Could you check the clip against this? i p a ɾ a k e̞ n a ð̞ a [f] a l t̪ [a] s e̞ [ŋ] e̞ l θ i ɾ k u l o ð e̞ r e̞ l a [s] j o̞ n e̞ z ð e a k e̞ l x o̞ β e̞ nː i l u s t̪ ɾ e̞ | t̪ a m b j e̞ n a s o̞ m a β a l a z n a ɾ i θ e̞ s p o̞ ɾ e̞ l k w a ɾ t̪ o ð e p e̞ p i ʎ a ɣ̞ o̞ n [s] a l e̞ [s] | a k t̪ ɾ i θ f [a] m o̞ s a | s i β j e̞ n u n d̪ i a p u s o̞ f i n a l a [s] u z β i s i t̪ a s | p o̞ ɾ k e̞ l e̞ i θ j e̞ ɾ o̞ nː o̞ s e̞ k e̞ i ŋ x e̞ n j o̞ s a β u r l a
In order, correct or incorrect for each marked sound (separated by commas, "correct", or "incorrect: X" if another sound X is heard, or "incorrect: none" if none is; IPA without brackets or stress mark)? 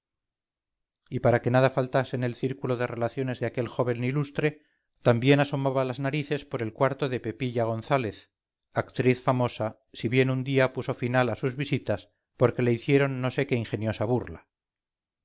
correct, correct, incorrect: n, incorrect: θ, incorrect: θ, incorrect: θ, correct, correct